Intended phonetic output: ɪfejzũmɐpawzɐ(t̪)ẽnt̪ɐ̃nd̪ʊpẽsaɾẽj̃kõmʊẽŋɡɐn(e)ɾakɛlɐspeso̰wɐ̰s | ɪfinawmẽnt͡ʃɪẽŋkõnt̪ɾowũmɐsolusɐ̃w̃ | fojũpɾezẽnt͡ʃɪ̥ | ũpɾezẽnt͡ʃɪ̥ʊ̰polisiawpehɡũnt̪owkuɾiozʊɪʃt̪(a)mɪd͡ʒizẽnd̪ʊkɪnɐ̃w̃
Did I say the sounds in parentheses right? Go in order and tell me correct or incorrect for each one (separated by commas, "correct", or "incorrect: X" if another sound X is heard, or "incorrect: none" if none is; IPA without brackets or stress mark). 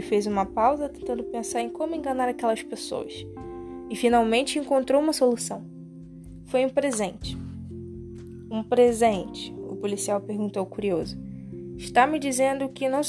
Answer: correct, incorrect: a, correct